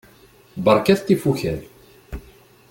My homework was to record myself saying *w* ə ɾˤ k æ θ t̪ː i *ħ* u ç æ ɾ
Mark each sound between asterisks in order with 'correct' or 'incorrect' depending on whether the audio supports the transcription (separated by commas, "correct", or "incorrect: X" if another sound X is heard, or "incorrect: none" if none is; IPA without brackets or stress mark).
incorrect: b, incorrect: f